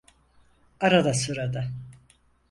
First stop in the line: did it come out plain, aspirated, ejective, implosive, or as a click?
plain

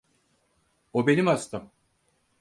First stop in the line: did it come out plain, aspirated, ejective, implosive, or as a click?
plain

